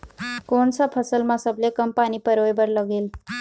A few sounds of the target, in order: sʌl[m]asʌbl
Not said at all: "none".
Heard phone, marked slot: m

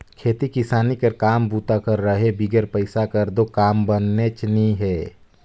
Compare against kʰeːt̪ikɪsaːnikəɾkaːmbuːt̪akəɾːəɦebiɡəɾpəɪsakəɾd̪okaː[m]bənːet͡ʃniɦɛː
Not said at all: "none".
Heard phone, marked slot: m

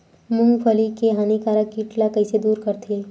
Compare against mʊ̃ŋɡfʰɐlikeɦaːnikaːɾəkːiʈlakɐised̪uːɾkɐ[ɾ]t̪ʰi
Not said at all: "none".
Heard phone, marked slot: ɾ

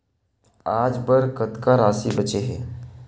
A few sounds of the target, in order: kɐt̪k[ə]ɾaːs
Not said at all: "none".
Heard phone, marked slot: a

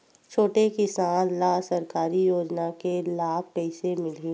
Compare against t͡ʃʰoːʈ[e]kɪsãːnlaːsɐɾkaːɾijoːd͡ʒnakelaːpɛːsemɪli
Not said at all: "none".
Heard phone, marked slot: e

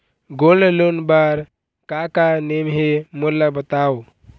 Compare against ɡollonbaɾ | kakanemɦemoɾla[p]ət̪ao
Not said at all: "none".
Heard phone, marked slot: b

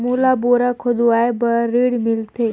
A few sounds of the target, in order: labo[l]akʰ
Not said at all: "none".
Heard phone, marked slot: ɾ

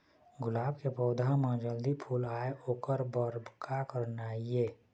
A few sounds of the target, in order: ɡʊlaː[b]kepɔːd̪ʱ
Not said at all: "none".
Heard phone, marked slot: b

